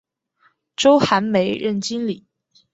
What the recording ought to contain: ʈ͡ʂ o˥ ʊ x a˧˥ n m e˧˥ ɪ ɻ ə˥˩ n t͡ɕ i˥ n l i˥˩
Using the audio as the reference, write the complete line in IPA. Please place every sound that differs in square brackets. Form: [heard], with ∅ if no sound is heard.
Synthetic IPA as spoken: ʈ͡ʂ o˥ ʊ x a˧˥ n m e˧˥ ɪ ɻ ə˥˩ n t͡ɕ i˥ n l [i˨˩˦]